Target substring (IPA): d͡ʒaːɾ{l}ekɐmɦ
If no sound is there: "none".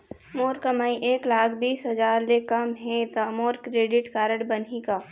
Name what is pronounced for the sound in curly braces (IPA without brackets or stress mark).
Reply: l